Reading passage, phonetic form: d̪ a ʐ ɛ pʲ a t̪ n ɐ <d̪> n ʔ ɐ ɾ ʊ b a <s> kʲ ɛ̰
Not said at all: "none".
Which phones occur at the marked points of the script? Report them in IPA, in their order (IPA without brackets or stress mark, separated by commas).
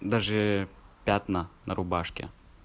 none, ʂ